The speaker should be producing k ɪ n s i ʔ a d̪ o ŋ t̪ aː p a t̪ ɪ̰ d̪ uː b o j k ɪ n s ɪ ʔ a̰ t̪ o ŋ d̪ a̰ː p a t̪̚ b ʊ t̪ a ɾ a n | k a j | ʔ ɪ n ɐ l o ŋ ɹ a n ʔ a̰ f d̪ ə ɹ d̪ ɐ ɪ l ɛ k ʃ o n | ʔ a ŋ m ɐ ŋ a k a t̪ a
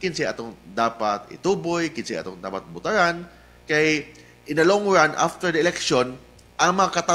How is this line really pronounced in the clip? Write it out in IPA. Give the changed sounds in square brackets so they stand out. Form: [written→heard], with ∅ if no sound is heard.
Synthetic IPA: k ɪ n s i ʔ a [d̪→t̪] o ŋ [t̪→d̪] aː p a t̪ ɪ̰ [d̪→t̪] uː b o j k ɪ n s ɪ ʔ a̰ t̪ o ŋ d̪ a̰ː p a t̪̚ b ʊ t̪ a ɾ a n | k a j | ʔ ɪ n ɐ l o ŋ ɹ a n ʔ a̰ f [d̪→t̪] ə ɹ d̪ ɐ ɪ l ɛ k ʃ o n | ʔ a ŋ m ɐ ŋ a k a t̪ a

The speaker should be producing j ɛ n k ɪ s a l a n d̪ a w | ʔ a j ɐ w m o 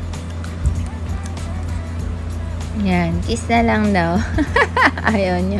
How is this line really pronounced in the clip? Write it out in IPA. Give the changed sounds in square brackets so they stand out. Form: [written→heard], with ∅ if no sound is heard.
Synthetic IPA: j [ɛ→a] n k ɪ s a l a [n→ŋ] d̪ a w | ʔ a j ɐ w [m→ɲ] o

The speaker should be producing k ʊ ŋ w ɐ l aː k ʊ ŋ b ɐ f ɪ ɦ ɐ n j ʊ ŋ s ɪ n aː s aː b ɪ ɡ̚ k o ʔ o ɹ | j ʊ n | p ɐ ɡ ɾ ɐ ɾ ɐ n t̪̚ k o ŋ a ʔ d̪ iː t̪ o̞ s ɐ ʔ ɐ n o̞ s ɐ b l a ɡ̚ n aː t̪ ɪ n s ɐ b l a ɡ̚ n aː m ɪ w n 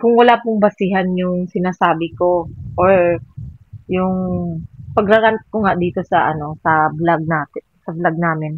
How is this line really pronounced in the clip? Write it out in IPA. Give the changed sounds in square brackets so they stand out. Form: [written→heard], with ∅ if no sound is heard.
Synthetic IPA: k ʊ ŋ w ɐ l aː [k→p] ʊ ŋ b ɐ [f→s] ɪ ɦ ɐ n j ʊ ŋ s ɪ n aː s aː b ɪ [ɡ̚→∅] k o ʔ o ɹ | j ʊ [n→ŋ] | p ɐ ɡ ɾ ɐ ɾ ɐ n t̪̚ k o ŋ a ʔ d̪ iː t̪ o̞ s ɐ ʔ ɐ n o̞ s ɐ b l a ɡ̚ n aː t̪ ɪ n s ɐ b l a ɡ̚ n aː m ɪ [w→∅] n

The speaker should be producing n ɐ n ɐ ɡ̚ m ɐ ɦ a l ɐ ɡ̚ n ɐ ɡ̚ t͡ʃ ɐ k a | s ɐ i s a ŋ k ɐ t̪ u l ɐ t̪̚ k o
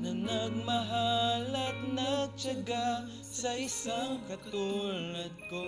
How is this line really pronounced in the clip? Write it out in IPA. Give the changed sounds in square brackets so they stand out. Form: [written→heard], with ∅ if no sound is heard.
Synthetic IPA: n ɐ n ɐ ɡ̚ m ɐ ɦ a l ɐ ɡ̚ n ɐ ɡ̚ t͡ʃ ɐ [k→ɡ] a | s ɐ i s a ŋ k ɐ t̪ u l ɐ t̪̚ k o

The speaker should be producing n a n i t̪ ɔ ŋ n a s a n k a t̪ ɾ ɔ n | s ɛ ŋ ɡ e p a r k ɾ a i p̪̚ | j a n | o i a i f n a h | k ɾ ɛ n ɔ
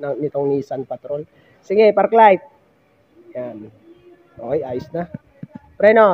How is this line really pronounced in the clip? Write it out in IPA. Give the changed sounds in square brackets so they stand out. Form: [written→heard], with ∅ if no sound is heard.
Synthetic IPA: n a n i t̪ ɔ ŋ n [a→i] s a n [k→p] a t̪ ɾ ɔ n | s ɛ ŋ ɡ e p a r k [ɾ→l] a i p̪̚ | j a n | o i a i [f→s] n a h | [k→p] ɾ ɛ n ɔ

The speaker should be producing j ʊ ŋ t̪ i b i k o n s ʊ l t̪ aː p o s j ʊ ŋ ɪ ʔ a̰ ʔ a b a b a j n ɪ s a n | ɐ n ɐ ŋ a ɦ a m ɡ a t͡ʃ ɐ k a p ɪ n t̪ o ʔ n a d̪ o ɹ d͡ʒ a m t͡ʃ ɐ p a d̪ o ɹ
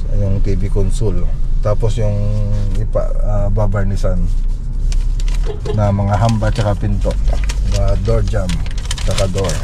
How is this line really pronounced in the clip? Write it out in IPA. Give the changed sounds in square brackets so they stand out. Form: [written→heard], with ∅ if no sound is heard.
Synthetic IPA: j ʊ ŋ t̪ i b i k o n s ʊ l t̪ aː p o s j ʊ ŋ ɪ [ʔ→p] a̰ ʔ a b a b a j n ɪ s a n | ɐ [n→m] ɐ ŋ a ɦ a m [ɡ→b] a t͡ʃ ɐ k a p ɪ n t̪ o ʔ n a d̪ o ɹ d͡ʒ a m t͡ʃ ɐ [p→k] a d̪ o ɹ

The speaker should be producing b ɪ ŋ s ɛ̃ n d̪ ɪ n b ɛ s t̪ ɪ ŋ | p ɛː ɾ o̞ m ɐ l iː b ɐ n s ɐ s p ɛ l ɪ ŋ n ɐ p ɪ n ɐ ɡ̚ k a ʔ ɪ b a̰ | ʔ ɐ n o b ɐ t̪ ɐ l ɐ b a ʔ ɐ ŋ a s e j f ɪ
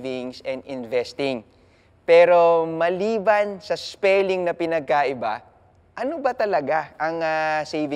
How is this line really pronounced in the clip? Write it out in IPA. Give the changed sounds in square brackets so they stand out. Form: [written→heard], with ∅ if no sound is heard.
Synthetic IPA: [b→v] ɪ ŋ s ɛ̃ n d̪ ɪ n [b→v] ɛ s t̪ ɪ ŋ | p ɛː ɾ o̞ m ɐ l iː b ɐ n s ɐ s p ɛ l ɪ ŋ n ɐ p ɪ n ɐ ɡ̚ k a ʔ ɪ b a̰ | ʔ ɐ n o b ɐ t̪ ɐ l ɐ [b→ɡ] a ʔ ɐ ŋ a s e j [f→v] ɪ

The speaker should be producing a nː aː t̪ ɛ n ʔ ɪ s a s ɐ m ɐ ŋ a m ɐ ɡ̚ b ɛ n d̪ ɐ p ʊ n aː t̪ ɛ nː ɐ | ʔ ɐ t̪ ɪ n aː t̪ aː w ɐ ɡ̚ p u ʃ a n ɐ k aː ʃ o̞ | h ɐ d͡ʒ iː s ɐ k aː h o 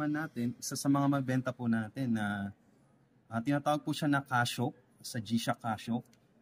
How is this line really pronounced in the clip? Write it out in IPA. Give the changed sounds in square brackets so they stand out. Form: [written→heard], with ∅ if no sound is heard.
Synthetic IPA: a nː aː t̪ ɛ n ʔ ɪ s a s ɐ m ɐ ŋ a m ɐ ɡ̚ b ɛ n [d̪→t̪] ɐ p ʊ n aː t̪ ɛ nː ɐ | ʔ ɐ t̪ ɪ n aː t̪ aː w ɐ ɡ̚ p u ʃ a n ɐ k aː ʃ o̞ | [h→s] ɐ d͡ʒ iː [s→ʃ] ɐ k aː [h→ʃ] o

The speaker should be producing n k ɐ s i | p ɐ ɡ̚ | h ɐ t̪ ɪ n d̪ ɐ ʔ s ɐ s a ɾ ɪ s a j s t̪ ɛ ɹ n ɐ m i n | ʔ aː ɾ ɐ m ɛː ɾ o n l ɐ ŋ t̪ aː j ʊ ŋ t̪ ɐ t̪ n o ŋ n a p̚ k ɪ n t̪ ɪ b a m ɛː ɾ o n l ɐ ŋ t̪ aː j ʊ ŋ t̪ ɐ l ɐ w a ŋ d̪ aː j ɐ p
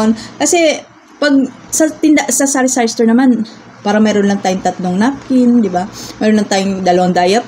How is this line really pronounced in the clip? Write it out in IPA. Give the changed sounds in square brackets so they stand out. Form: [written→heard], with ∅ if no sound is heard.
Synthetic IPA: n k ɐ s [i→ɛ] | p ɐ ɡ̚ | [h→s] ɐ t̪ ɪ n d̪ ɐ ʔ s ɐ s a ɾ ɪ s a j s t̪ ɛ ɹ n ɐ m [i→a] n | [ʔ→p] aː ɾ ɐ m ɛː ɾ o n l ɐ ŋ t̪ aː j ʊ ŋ t̪ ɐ t̪ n o ŋ n a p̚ k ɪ n [t̪→d̪] ɪ b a m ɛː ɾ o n l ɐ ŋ t̪ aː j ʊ ŋ [t̪→d̪] ɐ l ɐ w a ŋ d̪ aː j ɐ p

